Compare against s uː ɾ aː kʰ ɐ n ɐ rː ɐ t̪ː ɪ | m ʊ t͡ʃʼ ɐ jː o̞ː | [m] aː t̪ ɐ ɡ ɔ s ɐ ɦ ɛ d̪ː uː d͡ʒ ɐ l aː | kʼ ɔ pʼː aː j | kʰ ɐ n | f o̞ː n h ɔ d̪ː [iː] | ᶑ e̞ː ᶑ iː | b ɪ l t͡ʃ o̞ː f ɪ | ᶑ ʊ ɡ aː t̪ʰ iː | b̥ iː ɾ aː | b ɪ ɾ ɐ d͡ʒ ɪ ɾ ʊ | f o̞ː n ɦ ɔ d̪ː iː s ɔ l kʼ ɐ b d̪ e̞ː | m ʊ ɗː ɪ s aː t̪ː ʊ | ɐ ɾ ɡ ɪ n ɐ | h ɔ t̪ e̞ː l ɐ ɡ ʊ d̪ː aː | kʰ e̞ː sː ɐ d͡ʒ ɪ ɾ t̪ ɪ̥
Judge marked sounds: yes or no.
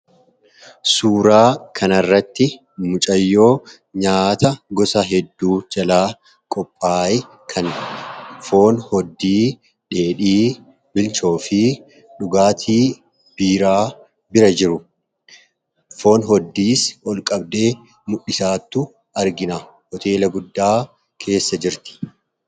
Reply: no, yes

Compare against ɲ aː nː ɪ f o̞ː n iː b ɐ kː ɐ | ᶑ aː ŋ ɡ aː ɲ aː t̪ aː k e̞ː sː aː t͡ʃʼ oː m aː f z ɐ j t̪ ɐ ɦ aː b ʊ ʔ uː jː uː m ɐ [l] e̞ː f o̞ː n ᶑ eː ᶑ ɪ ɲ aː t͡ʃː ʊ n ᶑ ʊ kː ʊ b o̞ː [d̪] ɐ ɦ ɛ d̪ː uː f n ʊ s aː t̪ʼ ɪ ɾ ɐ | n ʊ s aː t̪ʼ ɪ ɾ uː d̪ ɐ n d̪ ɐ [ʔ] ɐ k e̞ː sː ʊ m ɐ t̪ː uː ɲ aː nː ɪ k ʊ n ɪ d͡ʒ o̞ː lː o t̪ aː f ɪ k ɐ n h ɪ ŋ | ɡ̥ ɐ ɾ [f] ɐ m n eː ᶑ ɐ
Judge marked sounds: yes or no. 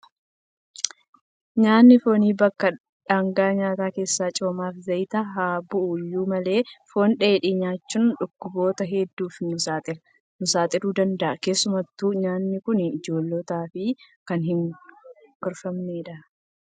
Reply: yes, no, yes, yes

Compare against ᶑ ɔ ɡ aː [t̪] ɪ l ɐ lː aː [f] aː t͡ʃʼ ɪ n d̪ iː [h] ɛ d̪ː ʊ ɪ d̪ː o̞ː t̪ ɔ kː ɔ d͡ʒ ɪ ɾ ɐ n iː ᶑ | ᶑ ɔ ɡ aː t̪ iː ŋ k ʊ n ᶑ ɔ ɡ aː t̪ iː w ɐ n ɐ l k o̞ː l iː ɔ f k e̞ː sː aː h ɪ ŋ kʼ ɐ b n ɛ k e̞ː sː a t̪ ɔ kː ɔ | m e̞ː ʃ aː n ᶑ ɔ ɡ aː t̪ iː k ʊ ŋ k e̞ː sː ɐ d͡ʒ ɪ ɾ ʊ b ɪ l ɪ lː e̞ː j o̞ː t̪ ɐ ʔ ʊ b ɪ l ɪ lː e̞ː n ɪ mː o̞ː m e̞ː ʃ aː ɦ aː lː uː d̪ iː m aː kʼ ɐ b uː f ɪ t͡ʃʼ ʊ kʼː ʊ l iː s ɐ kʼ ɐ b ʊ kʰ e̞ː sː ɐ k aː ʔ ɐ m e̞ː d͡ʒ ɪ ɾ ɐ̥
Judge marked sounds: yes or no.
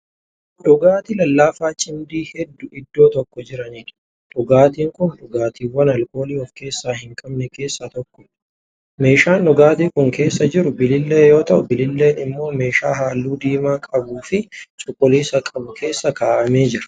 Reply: yes, yes, yes

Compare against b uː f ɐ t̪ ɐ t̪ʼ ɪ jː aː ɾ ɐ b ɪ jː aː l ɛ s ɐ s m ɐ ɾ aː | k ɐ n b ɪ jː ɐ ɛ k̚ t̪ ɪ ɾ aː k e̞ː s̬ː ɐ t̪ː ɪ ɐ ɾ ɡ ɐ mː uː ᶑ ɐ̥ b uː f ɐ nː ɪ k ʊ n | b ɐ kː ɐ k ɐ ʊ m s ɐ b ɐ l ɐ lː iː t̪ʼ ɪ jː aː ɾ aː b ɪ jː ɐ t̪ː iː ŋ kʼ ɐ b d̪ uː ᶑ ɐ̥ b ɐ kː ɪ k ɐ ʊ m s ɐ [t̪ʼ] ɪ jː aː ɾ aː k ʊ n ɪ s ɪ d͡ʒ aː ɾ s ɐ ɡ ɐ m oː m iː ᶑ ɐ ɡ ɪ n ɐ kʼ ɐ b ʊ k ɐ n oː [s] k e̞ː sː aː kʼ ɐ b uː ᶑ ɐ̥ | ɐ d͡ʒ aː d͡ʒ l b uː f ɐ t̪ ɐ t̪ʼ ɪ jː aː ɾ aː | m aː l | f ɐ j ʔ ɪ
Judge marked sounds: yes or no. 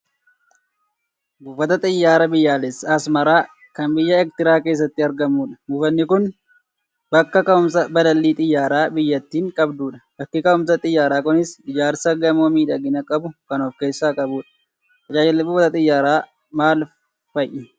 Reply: yes, no

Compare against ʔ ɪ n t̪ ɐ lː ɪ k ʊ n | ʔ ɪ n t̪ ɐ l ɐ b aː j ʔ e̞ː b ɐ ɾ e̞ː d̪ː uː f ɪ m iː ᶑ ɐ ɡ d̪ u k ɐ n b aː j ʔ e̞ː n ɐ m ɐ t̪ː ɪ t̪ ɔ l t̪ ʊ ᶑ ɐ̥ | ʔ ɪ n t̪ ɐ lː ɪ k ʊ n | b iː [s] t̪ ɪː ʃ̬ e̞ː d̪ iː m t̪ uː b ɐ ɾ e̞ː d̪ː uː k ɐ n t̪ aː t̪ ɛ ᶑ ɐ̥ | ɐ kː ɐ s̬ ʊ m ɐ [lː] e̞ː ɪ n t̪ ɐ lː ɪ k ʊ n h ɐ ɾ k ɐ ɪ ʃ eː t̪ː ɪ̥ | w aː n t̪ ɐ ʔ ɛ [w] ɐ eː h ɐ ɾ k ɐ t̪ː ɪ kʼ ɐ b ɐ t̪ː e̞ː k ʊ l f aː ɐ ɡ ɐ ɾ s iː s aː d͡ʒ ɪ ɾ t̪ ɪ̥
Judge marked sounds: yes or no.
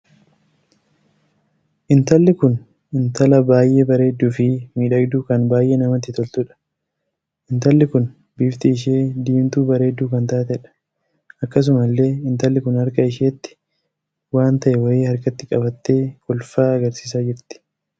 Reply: no, yes, yes

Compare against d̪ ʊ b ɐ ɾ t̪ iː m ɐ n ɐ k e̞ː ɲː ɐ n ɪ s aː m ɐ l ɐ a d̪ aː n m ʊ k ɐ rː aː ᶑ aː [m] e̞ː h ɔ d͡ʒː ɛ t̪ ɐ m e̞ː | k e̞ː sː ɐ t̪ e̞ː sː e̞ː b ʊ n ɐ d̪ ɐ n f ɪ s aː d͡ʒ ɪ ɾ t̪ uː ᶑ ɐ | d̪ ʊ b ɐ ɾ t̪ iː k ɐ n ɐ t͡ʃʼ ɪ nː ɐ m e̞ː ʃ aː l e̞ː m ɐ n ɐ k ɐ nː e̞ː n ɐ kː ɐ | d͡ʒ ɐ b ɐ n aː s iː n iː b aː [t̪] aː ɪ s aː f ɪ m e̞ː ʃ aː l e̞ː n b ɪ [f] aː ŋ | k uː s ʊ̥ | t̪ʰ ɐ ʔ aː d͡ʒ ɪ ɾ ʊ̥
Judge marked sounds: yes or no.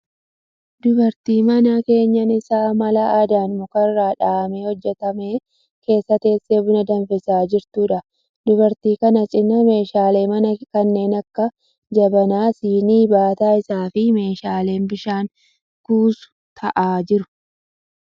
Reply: yes, yes, no

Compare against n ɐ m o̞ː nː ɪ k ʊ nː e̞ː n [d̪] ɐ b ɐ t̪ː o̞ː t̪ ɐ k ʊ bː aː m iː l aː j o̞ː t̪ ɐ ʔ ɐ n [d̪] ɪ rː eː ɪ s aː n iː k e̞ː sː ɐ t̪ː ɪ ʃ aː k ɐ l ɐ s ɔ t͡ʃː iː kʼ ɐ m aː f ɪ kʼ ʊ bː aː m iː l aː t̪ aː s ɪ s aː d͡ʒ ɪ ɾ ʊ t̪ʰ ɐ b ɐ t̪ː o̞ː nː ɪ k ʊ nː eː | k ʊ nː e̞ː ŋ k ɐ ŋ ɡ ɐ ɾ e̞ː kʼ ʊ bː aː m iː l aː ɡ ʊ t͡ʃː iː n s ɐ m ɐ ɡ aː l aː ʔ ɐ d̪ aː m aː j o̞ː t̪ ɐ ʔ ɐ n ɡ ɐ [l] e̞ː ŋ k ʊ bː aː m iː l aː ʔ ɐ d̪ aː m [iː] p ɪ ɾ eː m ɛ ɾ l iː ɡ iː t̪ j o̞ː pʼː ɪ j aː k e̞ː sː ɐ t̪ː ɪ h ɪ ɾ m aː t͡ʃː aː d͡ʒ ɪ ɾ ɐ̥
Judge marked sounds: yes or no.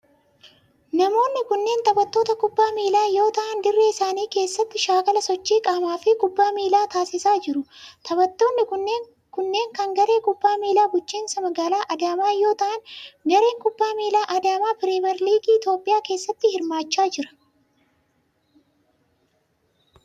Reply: no, yes, no, no

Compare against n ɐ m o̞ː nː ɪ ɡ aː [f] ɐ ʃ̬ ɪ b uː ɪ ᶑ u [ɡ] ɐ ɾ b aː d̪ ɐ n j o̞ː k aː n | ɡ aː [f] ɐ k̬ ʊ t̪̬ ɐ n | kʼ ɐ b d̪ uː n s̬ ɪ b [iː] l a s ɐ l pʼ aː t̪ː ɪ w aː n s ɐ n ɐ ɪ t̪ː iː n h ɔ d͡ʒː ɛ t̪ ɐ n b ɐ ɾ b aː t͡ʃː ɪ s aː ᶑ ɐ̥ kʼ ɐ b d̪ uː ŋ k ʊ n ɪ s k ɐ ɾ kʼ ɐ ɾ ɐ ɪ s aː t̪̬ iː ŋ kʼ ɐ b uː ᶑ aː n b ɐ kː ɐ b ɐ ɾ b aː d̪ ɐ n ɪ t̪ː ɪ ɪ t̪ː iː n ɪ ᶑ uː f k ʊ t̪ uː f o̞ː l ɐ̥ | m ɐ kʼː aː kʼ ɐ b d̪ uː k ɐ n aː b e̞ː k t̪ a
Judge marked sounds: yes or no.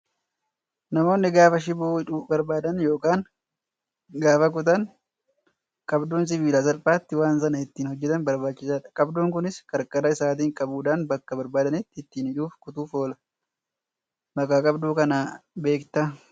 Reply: yes, no, yes, yes

